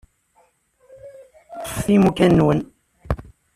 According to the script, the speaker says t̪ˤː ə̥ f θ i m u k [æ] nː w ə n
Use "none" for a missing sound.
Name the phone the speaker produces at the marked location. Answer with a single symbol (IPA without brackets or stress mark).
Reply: æ